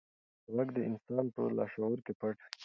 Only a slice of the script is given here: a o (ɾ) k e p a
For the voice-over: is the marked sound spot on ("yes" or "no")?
yes